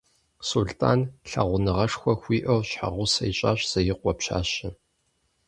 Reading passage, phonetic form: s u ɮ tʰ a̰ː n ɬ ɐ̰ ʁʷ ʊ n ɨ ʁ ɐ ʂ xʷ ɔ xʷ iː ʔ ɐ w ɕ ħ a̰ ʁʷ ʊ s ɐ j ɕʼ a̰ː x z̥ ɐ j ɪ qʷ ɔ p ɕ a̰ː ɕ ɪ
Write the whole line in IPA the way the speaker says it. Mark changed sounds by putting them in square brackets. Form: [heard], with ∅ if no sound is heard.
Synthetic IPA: s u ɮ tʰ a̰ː n ɬ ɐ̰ ʁʷ ʊ n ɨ ʁ ɐ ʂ xʷ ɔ xʷ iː ʔ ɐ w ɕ ħ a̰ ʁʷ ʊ s ɐ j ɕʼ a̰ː [ɕ] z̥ ɐ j ɪ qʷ ɔ p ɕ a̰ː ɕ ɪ